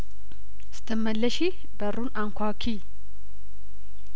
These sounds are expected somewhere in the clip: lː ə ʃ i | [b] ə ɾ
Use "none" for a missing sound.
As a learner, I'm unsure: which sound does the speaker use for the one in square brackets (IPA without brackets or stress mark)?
b